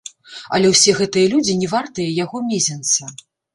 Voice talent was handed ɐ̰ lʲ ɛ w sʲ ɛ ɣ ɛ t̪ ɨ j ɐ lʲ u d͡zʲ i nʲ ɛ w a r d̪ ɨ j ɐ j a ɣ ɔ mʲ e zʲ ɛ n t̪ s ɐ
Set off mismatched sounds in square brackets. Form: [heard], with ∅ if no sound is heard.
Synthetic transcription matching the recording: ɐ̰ lʲ ɛ w sʲ ɛ ɣ ɛ t̪ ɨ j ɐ lʲ u d͡zʲ i nʲ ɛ [v] a r [t̪] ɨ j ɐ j a ɣ ɔ mʲ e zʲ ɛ n t̪ s ɐ